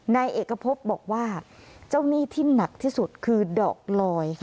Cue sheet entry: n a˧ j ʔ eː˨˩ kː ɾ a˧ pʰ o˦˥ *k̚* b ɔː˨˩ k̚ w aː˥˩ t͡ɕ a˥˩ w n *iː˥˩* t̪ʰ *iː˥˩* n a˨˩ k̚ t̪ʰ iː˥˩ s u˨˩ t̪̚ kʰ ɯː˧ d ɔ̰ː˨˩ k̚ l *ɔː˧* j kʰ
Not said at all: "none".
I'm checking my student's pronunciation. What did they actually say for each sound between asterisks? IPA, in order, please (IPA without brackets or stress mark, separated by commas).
p̚, iː˥˩, iː˥˩, ɔː˧